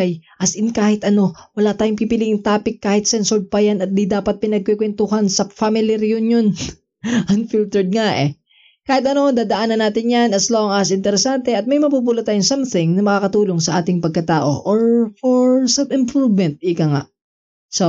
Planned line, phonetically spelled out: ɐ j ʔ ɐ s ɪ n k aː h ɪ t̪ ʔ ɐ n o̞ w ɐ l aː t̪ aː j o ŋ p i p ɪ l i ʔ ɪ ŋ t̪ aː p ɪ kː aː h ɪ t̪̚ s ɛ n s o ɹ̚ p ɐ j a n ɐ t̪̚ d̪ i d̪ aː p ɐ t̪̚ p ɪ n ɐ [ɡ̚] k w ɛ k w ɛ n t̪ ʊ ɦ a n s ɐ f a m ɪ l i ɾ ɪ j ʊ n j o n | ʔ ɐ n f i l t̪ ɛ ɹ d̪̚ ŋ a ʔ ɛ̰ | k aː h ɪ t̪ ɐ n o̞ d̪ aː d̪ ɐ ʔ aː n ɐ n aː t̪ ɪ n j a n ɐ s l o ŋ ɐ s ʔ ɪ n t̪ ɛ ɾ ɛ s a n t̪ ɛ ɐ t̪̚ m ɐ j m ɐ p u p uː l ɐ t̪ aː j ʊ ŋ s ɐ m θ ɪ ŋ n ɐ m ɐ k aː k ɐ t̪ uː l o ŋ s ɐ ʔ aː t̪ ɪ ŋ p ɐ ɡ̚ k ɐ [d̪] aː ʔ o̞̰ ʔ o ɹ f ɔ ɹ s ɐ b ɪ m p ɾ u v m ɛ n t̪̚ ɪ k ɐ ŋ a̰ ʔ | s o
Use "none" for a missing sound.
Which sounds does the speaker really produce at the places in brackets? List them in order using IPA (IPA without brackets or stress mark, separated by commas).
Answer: ɡ̚, t̪